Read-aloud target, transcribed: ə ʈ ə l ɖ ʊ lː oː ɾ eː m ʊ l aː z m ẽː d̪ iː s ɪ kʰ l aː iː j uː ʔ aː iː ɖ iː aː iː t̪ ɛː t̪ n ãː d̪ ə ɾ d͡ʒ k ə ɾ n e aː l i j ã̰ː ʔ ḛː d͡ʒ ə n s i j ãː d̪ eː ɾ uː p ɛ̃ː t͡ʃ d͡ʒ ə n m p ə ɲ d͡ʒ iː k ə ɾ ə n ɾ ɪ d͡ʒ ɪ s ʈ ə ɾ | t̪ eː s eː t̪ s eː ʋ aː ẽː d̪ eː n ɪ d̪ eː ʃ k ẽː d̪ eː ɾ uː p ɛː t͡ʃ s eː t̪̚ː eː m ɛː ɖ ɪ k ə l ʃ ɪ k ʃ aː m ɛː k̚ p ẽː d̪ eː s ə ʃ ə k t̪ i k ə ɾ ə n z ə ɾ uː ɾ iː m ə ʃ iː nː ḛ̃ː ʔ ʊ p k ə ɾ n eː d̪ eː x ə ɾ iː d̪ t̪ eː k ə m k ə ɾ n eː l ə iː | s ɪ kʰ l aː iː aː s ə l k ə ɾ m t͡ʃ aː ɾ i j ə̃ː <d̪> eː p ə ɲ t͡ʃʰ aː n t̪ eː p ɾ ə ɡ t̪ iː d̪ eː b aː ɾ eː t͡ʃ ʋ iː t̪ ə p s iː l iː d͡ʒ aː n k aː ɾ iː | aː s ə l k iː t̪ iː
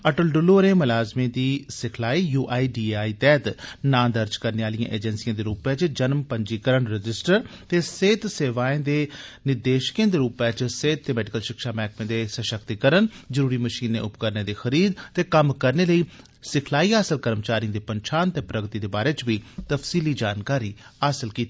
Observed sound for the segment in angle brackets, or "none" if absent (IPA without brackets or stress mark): d̪